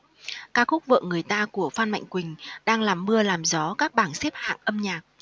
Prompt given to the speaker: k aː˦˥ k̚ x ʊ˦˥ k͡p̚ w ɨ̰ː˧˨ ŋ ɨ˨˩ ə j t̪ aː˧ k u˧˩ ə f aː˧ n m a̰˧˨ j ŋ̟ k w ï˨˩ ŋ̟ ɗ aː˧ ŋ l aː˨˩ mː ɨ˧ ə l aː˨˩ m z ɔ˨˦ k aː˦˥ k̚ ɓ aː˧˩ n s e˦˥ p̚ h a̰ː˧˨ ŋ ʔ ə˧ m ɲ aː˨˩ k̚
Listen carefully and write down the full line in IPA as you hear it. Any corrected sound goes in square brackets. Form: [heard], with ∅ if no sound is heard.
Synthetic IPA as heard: k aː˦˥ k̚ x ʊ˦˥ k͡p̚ [v] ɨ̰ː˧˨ ŋ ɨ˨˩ ə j t̪ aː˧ k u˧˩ ə f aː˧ n m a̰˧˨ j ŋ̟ k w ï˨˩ ŋ̟ ɗ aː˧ ŋ l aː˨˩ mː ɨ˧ ə l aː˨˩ m z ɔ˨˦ k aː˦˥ k̚ ɓ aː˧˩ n s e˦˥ p̚ h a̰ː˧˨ ŋ ʔ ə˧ m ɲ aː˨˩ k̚